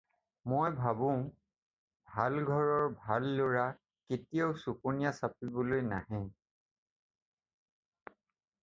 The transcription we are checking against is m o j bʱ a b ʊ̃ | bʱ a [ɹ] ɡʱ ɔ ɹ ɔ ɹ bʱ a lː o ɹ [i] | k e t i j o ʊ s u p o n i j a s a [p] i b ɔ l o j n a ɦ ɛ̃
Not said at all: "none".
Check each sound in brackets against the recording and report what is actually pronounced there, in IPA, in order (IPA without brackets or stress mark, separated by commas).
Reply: l, a, p